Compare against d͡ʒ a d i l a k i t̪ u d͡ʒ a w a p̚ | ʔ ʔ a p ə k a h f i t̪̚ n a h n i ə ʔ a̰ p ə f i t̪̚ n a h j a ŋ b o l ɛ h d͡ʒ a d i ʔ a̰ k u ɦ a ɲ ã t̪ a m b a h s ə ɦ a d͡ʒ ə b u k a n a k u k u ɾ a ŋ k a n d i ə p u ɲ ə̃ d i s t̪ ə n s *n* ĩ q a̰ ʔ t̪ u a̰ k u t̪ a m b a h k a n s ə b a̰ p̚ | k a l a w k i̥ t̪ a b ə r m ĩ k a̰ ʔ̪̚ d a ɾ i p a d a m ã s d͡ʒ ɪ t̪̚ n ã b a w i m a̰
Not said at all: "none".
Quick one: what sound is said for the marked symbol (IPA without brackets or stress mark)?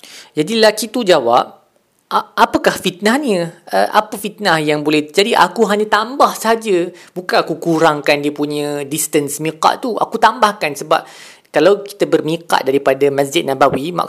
m